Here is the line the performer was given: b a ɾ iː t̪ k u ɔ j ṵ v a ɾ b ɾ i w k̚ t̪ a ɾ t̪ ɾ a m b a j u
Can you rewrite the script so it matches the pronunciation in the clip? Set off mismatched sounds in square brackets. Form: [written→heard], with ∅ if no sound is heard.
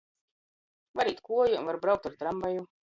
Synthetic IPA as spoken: [b→v] a ɾ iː t̪ k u ɔ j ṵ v a ɾ b ɾ [i→a] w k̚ t̪ a ɾ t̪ ɾ a m b a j u